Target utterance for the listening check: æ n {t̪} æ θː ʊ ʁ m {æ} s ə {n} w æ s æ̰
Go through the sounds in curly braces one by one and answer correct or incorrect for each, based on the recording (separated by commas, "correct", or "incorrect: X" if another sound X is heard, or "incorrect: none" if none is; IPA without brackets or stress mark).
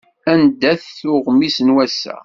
incorrect: d̪, incorrect: i, correct